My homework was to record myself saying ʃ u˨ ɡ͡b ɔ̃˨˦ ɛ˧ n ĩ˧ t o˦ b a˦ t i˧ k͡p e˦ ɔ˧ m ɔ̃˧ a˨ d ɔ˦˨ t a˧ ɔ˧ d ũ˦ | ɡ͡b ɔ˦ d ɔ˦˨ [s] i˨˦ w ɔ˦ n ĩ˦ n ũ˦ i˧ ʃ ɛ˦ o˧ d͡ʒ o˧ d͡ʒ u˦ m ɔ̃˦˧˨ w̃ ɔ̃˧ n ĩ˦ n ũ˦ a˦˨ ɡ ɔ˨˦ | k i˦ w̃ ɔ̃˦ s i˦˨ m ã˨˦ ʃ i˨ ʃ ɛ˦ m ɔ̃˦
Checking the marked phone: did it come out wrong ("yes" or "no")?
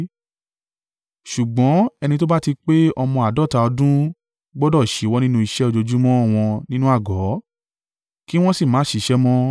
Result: yes